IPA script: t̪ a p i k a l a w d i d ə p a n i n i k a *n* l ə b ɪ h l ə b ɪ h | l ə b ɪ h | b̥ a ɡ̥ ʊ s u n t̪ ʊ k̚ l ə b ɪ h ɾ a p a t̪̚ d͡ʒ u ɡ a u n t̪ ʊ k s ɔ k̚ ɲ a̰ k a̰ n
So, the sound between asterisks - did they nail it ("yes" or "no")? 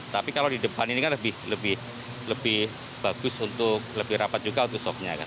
yes